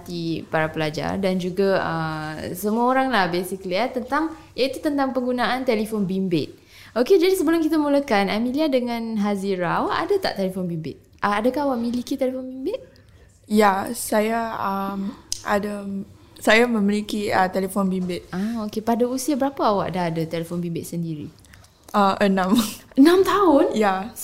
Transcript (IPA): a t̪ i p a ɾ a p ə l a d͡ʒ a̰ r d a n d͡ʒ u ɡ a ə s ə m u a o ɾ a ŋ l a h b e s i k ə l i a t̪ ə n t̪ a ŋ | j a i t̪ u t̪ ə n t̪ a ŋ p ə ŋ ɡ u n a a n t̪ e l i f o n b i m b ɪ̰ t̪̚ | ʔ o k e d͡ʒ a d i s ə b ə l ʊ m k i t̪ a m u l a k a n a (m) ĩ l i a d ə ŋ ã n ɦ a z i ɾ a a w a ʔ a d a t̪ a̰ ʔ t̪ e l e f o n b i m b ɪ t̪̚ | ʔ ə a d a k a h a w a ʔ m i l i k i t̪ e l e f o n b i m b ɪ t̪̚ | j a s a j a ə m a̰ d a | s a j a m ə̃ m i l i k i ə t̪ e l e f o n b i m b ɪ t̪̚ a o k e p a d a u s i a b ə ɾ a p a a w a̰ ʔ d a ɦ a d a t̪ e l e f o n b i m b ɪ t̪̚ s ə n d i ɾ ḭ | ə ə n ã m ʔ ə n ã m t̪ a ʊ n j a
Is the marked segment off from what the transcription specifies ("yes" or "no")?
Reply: no